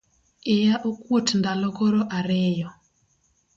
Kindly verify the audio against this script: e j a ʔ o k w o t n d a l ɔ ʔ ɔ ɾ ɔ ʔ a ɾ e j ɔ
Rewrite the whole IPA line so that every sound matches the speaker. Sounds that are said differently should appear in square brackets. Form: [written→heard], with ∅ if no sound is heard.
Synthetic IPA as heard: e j a ʔ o k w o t n d a l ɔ [ʔ→k] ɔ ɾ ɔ ʔ a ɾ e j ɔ